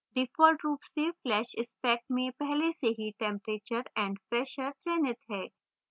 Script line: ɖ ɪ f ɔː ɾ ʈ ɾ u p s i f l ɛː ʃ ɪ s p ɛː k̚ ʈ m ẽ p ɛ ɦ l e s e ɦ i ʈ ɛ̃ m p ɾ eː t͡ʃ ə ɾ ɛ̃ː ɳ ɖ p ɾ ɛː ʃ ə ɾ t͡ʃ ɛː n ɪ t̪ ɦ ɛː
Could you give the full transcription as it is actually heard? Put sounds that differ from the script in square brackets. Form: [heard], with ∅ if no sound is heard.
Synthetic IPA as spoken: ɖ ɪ f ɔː [l] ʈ ɾ [uː] p s [e] f l ɛː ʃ ɪ s p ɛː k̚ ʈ m ẽ p ɛ ɦ l e s e ɦ i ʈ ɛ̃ m p ɾ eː t͡ʃ ə ɾ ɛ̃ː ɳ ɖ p ɾ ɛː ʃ ə ɾ t͡ʃ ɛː n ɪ t̪ ɦ ɛː